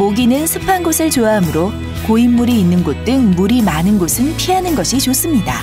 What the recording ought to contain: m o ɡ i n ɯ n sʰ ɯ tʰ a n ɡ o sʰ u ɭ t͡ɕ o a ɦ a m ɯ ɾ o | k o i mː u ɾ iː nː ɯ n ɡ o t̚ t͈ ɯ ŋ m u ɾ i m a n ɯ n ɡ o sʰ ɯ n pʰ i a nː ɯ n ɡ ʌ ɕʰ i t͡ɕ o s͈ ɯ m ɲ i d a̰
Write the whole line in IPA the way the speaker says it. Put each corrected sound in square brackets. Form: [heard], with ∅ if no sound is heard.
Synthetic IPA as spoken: m o ɡ i n ɯ n sʰ ɯ [pʰ] a n ɡ o sʰ [ɯ] ɭ t͡ɕ o a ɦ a m ɯ ɾ o | k o i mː u ɾ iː nː ɯ n ɡ o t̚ t͈ ɯ ŋ m u ɾ i m a n ɯ n ɡ o sʰ ɯ n pʰ i a [n] ɯ n ɡ ʌ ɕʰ i t͡ɕ o s͈ ɯ m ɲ i d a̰